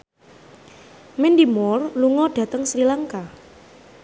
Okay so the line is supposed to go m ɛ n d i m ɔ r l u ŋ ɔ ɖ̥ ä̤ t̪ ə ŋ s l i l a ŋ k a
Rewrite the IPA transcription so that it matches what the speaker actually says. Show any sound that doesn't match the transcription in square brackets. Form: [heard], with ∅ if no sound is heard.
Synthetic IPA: m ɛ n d i m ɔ r l u ŋ ɔ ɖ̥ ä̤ t̪ ə ŋ s [ɾ] i l a ŋ k a